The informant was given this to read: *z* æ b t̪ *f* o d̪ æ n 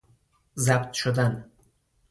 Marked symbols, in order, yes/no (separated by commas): yes, no